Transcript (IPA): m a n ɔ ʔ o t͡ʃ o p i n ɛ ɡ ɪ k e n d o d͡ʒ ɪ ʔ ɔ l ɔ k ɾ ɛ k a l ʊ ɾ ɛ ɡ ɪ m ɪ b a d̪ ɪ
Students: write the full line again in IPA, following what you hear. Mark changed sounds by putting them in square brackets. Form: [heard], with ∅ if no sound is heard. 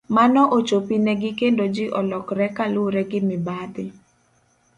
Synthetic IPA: m a n ɔ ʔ o t͡ʃ o p i n ɛ ɡ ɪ k e n d o d͡ʒ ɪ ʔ ɔ l ɔ k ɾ ɛ k a l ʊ ɾ ɛ ɡ ɪ m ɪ b a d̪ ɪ